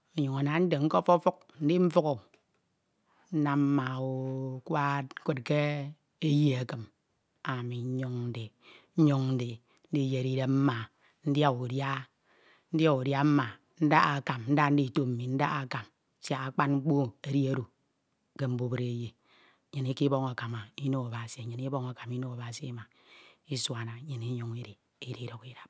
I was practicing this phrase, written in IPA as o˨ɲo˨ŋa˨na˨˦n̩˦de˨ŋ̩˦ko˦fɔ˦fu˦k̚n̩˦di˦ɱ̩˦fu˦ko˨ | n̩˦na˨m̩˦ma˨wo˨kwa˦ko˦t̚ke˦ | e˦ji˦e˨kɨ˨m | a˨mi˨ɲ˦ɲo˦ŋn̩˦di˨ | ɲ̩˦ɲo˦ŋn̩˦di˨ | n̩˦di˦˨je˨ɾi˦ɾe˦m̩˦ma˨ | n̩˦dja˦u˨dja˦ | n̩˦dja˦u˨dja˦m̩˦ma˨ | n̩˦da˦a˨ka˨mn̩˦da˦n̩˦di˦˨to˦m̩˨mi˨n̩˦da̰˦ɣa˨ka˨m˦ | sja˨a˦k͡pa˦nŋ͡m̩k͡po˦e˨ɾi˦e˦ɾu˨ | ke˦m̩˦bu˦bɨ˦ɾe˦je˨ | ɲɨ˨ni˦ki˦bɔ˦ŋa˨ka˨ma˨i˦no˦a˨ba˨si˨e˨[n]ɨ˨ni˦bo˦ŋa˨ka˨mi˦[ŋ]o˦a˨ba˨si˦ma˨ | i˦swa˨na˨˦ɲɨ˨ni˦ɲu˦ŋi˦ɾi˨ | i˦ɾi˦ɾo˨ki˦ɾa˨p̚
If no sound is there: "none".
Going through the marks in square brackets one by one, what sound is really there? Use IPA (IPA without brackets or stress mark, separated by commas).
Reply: ɲ, n